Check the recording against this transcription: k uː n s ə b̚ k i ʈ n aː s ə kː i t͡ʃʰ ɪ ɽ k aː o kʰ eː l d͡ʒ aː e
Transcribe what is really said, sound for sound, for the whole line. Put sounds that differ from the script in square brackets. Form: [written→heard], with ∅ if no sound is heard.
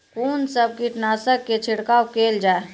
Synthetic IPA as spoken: k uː n s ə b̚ k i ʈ n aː s ə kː [i→e] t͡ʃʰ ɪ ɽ k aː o [kʰ→k] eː l d͡ʒ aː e